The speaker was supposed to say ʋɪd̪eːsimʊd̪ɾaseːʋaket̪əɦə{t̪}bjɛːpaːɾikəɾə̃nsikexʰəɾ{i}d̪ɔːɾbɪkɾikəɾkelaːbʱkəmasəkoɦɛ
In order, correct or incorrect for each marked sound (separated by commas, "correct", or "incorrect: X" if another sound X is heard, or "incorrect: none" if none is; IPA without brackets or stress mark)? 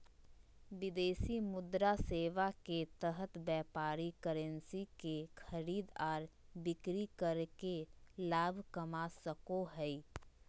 correct, incorrect: iː